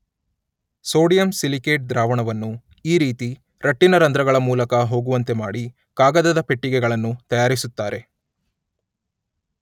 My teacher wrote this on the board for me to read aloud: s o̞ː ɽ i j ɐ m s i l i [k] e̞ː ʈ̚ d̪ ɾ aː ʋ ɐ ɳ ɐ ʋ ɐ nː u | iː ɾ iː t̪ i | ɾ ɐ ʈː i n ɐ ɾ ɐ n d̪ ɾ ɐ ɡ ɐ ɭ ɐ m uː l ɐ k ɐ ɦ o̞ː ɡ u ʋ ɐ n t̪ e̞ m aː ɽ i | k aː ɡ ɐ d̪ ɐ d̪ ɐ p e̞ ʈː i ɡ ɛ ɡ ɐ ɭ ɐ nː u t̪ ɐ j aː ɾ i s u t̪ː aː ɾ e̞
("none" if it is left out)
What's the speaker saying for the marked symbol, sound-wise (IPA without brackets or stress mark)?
k